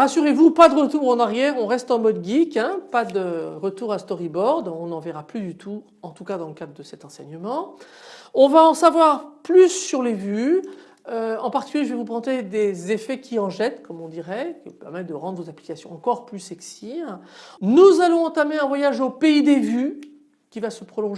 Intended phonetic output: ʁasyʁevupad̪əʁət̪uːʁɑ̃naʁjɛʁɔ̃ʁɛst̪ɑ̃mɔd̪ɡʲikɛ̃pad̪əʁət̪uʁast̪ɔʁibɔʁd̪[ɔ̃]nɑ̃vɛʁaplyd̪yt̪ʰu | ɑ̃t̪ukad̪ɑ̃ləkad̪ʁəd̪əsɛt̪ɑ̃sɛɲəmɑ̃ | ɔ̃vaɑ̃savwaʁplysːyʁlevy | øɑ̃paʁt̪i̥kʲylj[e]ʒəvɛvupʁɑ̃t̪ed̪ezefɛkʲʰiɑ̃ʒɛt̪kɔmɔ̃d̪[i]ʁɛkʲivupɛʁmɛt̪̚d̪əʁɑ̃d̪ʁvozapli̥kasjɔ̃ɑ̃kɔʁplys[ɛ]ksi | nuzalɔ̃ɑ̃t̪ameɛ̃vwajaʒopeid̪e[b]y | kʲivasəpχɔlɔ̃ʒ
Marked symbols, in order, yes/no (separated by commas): yes, yes, yes, yes, no